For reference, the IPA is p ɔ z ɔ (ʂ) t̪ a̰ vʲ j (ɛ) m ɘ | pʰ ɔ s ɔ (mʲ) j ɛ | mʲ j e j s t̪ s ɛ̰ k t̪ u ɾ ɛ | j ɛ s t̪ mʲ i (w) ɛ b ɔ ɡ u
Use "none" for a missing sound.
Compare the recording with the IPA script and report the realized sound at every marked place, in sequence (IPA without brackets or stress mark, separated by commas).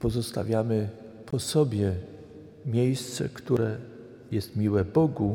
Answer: s, a, bʲ, w